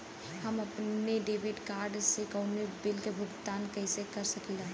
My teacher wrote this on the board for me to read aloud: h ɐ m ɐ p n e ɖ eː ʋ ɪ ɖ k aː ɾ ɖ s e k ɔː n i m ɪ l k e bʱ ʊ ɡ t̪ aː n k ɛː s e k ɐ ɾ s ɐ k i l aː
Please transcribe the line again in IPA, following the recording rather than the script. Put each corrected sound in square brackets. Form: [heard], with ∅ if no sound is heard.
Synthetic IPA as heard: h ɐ m ɐ p n e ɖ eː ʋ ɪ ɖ k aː ɾ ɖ s e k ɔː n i [b] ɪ l k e bʱ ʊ ɡ t̪ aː n k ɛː s e k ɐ ɾ s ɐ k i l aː

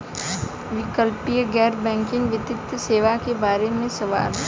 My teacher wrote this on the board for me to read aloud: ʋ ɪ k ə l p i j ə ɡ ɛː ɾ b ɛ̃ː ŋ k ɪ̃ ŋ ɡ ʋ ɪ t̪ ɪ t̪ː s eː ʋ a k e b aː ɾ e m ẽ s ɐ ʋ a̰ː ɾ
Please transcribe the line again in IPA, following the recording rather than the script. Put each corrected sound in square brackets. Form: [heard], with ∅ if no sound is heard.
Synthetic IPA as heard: ʋ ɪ k ə l p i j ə ɡ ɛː ɾ b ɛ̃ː ŋ k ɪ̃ ŋ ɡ ʋ ɪ t̪ ɪ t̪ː s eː ʋ a k e b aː ɾ e m ẽ s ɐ ʋ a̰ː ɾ

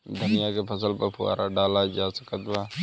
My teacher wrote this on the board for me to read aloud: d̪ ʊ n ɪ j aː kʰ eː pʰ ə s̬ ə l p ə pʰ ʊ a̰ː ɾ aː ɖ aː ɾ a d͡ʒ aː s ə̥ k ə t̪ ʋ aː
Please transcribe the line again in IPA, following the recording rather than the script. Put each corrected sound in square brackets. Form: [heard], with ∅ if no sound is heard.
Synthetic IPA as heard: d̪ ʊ n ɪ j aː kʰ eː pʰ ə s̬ ə l p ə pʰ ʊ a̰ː ɾ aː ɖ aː [l] a d͡ʒ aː s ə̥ k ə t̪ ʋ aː

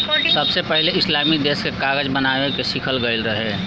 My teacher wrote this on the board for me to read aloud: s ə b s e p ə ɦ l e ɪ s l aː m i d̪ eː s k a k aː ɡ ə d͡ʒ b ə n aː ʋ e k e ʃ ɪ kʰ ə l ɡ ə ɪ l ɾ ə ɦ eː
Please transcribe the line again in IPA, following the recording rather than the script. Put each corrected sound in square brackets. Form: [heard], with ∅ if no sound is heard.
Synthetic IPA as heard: s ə b s e p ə ɦ l e ɪ s l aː m i d̪ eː s k [e] k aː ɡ ə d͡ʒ b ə n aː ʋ e k e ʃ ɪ kʰ ə l ɡ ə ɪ l ɾ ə ɦ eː

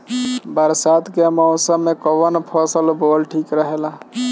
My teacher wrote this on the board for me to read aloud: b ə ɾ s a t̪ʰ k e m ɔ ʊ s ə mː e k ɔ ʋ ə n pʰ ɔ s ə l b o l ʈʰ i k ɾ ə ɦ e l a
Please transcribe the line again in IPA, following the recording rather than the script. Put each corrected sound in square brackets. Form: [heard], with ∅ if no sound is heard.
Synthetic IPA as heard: b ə ɾ s a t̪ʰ k e m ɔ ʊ s ə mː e k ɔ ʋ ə n pʰ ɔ s ə l b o l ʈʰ i k ɾ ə ɦ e l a

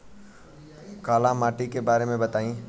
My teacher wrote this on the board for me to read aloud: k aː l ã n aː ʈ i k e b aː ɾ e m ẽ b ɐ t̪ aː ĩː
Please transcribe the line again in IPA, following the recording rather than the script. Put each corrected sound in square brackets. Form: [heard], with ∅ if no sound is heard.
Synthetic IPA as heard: k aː l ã [m] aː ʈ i k e b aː ɾ e m ẽ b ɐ t̪ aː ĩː

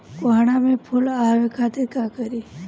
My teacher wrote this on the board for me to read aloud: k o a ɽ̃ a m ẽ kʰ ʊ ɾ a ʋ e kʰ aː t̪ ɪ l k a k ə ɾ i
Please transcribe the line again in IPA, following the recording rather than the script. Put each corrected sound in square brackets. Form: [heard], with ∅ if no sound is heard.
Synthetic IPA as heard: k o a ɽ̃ a m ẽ [pʰ] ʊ [l] a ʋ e kʰ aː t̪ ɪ [ɾ] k a k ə ɾ i

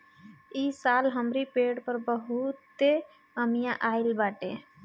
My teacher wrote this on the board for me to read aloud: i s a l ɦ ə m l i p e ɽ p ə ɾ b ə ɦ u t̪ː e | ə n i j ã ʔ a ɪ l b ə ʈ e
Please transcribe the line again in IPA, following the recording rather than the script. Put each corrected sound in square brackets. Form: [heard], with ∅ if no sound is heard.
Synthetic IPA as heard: i s a l ɦ ə m [ɾ] i p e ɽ p ə ɾ b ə ɦ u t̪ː e | ə [m] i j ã ʔ a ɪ l b [a] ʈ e

